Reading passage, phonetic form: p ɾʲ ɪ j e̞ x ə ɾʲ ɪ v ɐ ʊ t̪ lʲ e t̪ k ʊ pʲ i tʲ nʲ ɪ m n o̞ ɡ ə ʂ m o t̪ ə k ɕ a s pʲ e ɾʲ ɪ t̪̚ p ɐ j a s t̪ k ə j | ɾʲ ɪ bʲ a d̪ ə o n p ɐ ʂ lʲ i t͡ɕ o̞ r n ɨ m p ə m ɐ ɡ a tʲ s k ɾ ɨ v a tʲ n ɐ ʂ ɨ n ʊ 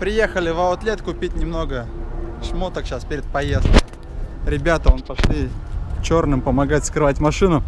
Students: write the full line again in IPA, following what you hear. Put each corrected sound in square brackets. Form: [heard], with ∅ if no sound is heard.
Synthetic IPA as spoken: p ɾʲ ɪ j e̞ x ə [lʲ] ɪ v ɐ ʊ t̪ lʲ e t̪ k ʊ pʲ i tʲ nʲ ɪ m n o̞ ɡ ə ʂ m o t̪ ə k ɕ a s pʲ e ɾʲ ɪ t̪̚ p ɐ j [e] s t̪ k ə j | ɾʲ ɪ bʲ a [t̪] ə o n p ɐ ʂ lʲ i t͡ɕ o̞ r n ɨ m p ə m ɐ ɡ a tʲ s k ɾ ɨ v a tʲ [m] ɐ ʂ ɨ n ʊ

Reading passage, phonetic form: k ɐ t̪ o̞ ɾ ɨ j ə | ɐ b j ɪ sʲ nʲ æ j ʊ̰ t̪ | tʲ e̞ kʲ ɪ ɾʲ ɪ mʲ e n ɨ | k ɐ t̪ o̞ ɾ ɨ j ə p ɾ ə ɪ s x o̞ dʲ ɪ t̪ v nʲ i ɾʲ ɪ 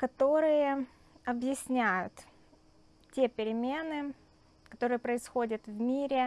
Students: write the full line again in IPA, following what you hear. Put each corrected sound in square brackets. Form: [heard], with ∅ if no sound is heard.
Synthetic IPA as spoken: k ɐ t̪ o̞ ɾ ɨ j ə | ɐ b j ɪ sʲ nʲ æ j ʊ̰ t̪ | tʲ e̞ [pʲ] ɪ ɾʲ ɪ mʲ e n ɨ | k ɐ t̪ o̞ ɾ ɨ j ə p ɾ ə ɪ s x o̞ dʲ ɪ t̪ v [mʲ] i ɾʲ ɪ

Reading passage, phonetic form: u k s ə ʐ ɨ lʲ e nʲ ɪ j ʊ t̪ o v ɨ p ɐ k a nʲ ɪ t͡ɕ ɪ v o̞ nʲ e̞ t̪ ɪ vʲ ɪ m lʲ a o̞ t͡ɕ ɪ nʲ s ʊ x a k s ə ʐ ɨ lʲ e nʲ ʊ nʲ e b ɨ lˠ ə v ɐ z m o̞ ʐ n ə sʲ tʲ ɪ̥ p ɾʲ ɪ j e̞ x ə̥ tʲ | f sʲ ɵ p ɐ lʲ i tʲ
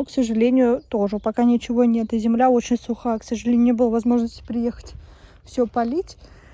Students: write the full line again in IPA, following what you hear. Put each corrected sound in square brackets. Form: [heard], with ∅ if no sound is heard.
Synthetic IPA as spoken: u k s ə ʐ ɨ lʲ e nʲ ɪ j ʊ t̪ o [ʐ] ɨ p ɐ k a nʲ ɪ t͡ɕ ɪ v o̞ nʲ e̞ t̪ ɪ [zʲ] ɪ m lʲ a o̞ t͡ɕ ɪ nʲ s ʊ x a k s ə ʐ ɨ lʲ e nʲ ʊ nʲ e b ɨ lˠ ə v ɐ z m o̞ ʐ n ə sʲ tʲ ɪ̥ p ɾʲ ɪ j e̞ x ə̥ tʲ | f sʲ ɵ p ɐ lʲ i tʲ

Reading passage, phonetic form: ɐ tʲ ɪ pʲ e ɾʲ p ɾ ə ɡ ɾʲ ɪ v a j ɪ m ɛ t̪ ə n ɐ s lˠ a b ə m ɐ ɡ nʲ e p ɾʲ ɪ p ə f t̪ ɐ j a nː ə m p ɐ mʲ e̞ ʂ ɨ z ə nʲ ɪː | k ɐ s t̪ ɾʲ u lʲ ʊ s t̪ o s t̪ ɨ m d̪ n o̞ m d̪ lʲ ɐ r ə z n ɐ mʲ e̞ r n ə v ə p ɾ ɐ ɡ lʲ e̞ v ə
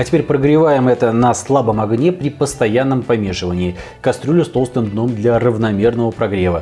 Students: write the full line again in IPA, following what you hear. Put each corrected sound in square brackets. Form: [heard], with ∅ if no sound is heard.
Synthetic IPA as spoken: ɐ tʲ ɪ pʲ e ɾʲ p ɾ ə ɡ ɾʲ ɪ v a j ɪ m ɛ t̪ ə n ɐ s lˠ a b ə m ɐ ɡ nʲ e p ɾʲ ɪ p ə [s] t̪ ɐ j a nː ə m p ɐ mʲ e̞ ʂ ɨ [v] ə nʲ ɪː | k ɐ s t̪ ɾʲ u lʲ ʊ s t̪ o s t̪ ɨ m d̪ n o̞ m d̪ lʲ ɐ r ə [v] n ɐ mʲ e̞ r n ə v ə p ɾ ɐ ɡ [ɾʲ] e̞ v ə

